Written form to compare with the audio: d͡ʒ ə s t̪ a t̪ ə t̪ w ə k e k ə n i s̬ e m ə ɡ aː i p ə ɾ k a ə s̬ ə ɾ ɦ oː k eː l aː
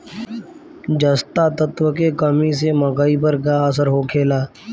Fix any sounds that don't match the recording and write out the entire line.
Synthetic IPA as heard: d͡ʒ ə s t̪ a t̪ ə t̪ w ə k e k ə m i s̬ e m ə ɡ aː i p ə ɾ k a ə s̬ ə ɾ ɦ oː kʰ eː l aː